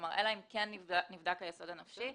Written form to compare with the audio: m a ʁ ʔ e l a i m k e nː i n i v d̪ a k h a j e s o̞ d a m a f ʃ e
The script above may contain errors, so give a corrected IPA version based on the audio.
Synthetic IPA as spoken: m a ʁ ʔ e l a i m k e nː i n i v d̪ a k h a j e s o̞ d a n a f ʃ i